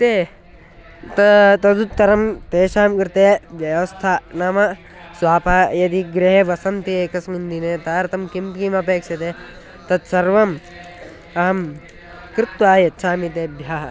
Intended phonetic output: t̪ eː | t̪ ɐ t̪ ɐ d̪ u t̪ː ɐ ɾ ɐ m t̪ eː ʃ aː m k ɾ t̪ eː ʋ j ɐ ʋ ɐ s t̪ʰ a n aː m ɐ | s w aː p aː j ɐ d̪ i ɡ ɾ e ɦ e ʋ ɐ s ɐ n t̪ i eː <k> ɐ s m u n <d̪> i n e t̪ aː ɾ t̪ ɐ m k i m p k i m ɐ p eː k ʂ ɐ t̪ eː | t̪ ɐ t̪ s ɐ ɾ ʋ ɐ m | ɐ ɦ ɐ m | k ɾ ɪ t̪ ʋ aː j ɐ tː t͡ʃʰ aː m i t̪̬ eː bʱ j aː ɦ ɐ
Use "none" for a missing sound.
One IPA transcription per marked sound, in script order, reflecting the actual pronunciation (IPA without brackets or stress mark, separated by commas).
k, d̪